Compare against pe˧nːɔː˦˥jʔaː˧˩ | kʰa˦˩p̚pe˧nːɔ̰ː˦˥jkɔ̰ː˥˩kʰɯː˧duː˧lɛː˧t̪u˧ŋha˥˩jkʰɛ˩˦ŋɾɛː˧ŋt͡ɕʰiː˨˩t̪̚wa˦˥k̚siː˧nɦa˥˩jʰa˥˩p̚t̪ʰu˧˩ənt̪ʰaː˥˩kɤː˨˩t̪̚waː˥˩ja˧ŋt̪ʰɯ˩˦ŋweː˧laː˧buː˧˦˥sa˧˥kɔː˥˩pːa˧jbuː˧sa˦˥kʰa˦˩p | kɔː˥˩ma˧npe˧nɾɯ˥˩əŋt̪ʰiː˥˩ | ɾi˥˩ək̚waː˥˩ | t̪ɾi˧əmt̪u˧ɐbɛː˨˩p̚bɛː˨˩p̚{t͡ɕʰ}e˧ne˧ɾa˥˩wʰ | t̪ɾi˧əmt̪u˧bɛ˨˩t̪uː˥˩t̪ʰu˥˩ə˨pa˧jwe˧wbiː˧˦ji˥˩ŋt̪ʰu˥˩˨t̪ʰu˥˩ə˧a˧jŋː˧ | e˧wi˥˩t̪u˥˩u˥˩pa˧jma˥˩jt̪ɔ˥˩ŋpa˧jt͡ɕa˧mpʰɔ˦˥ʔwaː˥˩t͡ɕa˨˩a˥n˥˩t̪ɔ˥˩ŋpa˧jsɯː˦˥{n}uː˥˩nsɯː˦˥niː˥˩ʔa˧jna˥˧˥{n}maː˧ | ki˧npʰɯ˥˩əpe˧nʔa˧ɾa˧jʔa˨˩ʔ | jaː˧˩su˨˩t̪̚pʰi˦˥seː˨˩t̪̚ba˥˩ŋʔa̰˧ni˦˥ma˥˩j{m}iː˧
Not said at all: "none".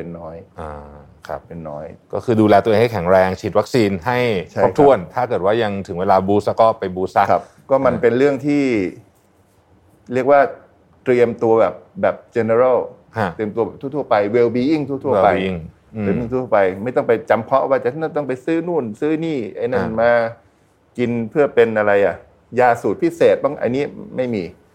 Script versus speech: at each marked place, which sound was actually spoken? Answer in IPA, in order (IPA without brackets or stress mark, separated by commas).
t͡ɕ, n, n, m